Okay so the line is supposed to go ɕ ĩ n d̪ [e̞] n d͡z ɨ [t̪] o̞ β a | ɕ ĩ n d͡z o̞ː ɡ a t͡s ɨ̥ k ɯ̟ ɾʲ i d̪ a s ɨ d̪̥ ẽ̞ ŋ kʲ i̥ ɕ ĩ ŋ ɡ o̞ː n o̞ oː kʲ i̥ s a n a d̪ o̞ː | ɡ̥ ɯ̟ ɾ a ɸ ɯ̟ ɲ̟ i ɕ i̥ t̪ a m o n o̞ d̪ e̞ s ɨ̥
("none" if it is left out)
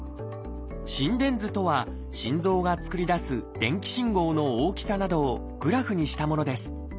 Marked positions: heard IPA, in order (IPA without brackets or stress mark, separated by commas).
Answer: ẽ̞, t̪